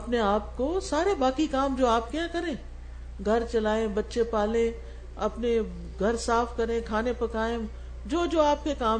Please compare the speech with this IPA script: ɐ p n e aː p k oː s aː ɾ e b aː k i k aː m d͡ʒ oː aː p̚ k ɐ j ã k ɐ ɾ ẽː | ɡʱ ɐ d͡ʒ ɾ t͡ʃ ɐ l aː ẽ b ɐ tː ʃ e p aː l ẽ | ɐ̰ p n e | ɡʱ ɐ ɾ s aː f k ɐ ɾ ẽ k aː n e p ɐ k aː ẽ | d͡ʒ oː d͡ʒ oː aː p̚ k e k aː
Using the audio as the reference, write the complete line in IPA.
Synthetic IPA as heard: ɐ p n e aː p k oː s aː ɾ e b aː k i k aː m d͡ʒ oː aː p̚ k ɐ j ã k ɐ ɾ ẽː | ɡʱ ɐ ɾ t͡ʃ ɐ l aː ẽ b ɐ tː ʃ e p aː l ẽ | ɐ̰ p n e | ɡʱ ɐ ɾ s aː f k ɐ ɾ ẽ kʰ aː n e p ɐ k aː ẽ | d͡ʒ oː d͡ʒ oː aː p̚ k e k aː